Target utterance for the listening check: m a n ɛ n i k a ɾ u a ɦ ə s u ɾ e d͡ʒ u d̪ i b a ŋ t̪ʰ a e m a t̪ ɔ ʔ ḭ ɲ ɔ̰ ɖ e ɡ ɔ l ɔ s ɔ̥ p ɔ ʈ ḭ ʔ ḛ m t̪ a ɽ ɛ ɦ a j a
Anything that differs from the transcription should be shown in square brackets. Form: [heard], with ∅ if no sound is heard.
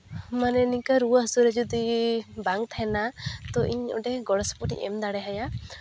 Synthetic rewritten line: m a n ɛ n i k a ɾ u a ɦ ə s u ɾ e d͡ʒ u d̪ i b a ŋ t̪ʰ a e [n] a t̪ ɔ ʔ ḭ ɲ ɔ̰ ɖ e ɡ ɔ [ɽ] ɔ s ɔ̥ p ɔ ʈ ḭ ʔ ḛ m [d̪] a ɽ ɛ ɦ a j a